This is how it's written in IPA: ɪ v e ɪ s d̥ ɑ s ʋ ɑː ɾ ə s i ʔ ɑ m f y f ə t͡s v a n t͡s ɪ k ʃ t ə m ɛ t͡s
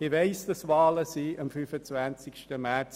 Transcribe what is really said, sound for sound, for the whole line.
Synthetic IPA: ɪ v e ɪ s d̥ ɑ s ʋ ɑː l ə s i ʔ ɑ m f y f ə t͡s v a n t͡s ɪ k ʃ t ə m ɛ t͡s